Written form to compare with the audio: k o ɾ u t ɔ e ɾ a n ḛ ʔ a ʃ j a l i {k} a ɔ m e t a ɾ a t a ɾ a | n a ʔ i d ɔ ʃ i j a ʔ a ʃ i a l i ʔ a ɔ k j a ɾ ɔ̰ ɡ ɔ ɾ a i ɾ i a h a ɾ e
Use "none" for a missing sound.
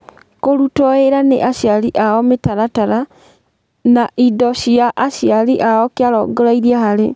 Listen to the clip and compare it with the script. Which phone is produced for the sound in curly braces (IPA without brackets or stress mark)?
ʔ